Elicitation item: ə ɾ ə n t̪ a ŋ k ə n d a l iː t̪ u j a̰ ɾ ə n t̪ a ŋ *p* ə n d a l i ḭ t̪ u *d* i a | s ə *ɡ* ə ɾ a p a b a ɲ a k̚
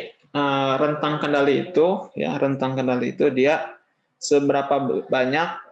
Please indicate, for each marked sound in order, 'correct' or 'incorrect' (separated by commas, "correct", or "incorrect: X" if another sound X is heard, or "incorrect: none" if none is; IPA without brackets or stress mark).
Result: incorrect: k, correct, incorrect: b